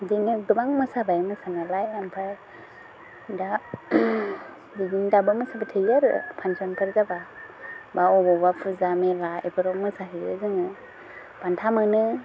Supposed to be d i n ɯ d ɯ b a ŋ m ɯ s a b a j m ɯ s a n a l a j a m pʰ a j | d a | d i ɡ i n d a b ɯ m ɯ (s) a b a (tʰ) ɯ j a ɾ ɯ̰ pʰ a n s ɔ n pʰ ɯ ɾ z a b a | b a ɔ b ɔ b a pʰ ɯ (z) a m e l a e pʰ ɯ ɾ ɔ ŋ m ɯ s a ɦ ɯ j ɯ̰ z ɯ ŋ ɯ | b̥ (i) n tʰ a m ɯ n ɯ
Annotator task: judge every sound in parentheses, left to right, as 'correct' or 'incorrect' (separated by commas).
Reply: correct, correct, correct, incorrect